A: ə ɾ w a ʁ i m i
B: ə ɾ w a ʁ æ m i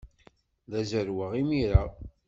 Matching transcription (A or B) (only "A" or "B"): A